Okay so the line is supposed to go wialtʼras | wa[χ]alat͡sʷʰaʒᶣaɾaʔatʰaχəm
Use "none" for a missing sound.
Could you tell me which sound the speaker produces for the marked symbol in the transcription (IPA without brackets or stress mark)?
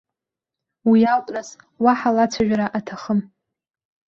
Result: ħ